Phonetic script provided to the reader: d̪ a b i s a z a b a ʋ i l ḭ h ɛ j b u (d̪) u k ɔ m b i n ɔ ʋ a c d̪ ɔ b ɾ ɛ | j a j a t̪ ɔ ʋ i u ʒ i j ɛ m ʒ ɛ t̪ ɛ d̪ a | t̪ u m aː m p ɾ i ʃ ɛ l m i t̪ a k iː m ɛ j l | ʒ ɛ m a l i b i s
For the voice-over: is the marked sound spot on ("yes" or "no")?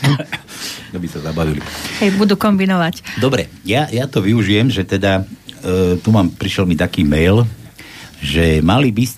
yes